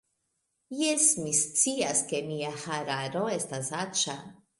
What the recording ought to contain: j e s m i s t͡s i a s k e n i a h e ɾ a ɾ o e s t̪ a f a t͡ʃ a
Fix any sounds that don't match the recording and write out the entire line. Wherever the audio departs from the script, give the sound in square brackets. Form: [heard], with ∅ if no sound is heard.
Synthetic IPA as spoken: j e s m i s t͡s i a s k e [m] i a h [a] ɾ a ɾ o e s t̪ a [s] a t͡ʃ a